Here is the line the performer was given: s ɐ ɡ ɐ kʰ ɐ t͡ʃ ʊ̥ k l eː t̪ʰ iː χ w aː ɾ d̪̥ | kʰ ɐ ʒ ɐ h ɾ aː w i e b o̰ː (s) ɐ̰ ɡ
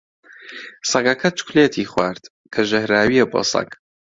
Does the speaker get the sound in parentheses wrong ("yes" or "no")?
no